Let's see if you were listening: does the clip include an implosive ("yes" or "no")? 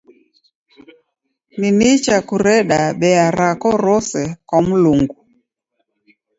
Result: yes